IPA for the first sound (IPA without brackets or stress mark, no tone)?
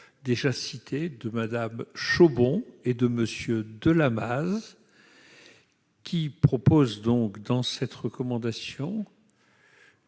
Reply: d̪